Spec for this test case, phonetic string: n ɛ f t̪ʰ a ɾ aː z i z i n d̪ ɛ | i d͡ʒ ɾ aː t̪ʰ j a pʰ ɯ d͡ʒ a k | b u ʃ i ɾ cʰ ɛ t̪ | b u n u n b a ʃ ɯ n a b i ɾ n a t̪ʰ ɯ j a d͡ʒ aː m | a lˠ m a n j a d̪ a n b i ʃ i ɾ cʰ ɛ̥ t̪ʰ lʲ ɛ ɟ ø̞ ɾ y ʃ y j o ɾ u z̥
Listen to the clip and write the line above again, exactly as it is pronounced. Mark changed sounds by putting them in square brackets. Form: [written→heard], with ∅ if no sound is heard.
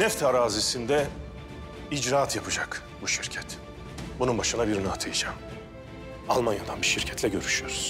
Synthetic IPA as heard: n ɛ f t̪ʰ a ɾ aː z i [z→s] i n d̪ ɛ | i d͡ʒ ɾ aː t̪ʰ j a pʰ ɯ d͡ʒ a k | b u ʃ i ɾ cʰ ɛ t̪ | b u n u n b a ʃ ɯ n a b i ɾ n a t̪ʰ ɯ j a d͡ʒ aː m | a lˠ m a n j a d̪ a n b i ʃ i ɾ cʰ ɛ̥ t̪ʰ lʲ ɛ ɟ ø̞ ɾ y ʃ y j o ɾ u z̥